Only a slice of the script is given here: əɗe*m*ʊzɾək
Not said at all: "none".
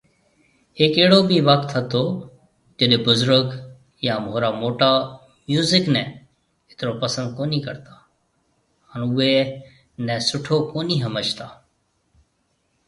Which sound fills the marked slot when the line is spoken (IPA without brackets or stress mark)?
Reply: b